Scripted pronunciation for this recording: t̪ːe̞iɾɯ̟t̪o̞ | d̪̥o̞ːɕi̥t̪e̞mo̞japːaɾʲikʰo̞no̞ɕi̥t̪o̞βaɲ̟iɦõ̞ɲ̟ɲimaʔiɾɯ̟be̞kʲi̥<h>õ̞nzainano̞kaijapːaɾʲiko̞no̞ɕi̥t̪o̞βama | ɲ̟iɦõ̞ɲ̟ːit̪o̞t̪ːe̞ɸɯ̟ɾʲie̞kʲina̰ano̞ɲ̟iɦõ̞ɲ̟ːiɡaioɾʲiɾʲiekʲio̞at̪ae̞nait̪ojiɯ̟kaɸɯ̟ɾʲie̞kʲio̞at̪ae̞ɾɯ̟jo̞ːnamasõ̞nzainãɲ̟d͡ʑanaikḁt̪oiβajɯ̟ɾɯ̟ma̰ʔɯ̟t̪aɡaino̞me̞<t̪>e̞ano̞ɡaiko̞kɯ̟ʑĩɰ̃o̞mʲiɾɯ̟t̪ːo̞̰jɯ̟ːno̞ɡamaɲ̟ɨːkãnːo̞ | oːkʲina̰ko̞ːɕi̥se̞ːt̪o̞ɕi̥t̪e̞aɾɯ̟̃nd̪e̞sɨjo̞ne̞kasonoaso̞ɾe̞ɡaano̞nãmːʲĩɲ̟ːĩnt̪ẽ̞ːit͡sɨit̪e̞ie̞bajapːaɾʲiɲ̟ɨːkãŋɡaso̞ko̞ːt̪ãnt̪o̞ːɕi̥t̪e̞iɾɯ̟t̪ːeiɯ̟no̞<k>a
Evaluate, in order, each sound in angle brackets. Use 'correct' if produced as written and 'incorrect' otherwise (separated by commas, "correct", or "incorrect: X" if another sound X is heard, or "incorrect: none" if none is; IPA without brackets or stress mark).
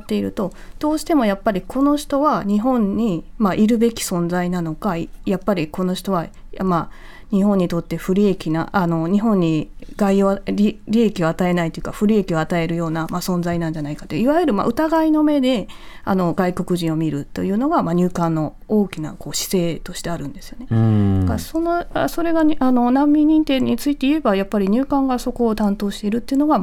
incorrect: s, incorrect: d̪, incorrect: ɡ